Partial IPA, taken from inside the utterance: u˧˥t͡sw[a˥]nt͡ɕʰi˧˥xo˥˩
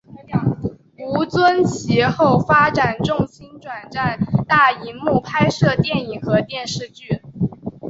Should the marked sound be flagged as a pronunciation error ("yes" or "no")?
yes